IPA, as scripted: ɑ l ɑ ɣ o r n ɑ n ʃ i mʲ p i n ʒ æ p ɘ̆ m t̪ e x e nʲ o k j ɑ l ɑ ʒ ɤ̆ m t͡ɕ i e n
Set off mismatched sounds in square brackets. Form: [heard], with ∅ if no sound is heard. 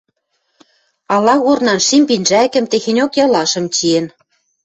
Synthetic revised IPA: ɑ l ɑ ɣ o r n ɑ n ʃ i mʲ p i n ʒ æ [k] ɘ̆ m t̪ e x e nʲ o k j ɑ l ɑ [ʃ] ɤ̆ m t͡ɕ i e n